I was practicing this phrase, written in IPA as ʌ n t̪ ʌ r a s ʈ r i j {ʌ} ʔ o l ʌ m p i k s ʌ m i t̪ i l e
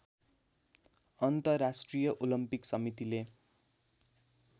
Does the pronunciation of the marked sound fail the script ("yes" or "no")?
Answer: no